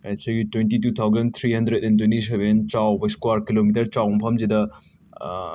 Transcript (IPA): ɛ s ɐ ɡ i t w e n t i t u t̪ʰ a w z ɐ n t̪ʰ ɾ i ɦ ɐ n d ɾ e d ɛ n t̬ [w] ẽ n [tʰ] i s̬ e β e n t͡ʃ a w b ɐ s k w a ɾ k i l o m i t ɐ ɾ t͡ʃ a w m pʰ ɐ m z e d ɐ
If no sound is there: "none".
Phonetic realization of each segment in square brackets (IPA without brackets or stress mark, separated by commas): w, t